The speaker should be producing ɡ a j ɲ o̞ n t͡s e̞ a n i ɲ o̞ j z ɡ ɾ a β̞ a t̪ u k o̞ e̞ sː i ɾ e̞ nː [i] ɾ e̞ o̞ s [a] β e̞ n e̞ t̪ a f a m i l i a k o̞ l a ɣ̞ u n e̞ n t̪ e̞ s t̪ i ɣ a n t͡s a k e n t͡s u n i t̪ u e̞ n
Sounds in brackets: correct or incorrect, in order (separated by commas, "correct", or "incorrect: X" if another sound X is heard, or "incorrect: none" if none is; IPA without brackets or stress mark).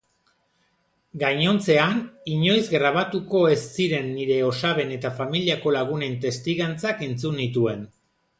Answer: correct, correct